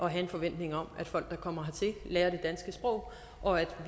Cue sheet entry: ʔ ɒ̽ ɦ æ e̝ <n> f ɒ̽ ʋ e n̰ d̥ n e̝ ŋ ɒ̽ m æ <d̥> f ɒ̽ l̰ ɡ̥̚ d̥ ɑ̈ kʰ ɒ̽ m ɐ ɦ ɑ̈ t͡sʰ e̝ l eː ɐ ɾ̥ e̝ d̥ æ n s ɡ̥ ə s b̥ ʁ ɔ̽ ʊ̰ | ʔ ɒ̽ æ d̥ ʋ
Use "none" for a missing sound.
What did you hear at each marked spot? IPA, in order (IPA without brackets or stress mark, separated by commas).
n, d̥